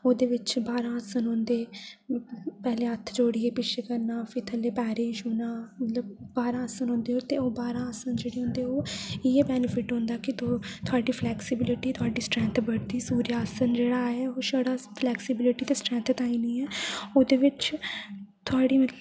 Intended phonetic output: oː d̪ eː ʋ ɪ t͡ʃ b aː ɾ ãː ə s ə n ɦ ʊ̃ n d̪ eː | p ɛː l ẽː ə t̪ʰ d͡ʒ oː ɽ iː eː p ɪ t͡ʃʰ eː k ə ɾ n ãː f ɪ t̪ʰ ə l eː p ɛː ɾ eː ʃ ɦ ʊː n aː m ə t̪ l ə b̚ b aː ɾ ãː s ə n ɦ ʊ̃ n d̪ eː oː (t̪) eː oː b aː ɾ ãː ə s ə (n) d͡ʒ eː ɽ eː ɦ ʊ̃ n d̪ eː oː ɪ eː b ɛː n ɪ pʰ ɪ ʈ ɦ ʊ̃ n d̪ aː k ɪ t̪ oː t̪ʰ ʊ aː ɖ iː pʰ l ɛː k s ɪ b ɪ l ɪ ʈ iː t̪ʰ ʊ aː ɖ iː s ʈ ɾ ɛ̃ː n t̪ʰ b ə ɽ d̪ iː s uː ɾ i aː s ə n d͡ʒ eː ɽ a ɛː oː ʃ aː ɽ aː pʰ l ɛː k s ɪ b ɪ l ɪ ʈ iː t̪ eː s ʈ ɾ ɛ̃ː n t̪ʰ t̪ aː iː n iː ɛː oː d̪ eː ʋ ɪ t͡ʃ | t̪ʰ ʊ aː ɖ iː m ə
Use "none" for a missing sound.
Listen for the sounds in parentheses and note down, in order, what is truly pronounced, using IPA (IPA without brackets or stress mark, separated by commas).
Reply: t̪, n